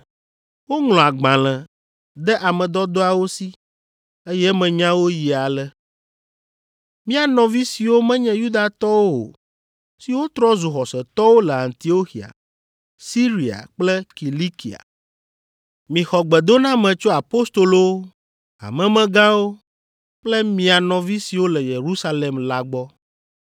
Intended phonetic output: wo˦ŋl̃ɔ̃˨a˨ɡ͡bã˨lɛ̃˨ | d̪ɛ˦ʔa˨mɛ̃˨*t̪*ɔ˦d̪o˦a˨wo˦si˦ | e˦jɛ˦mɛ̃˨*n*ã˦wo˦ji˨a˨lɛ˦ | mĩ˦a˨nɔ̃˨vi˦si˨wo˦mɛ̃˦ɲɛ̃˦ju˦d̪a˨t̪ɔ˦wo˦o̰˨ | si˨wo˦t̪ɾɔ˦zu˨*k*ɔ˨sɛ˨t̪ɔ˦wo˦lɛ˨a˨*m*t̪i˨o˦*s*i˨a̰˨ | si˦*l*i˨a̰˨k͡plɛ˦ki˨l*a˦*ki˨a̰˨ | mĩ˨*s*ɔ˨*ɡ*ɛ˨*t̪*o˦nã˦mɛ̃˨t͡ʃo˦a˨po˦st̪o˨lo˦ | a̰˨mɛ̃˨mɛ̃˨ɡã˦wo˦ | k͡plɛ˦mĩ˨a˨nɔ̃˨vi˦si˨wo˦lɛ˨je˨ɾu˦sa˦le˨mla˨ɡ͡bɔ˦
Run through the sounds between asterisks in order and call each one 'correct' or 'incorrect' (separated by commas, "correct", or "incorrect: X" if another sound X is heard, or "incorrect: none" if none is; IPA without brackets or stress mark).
incorrect: d̪, incorrect: ɲ, incorrect: x, incorrect: n, incorrect: x, incorrect: ɾ, incorrect: i˦, incorrect: x, incorrect: ɡ͡b, incorrect: d̪